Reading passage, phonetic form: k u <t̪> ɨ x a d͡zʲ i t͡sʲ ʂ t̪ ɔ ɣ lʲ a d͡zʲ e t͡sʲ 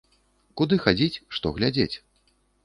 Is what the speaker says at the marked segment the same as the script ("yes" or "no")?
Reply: no